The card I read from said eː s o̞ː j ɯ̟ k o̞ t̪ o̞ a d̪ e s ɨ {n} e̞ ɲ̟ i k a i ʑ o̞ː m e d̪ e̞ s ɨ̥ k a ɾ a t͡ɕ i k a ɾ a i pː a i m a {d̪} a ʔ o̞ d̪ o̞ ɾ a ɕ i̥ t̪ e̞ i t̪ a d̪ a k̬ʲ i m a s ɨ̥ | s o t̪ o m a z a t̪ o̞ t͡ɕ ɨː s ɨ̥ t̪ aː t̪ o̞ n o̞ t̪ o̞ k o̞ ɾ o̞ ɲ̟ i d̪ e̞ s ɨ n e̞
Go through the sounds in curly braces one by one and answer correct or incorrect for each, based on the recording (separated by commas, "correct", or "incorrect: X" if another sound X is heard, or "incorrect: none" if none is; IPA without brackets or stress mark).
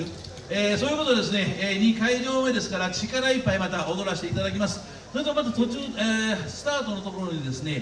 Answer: correct, incorrect: t̪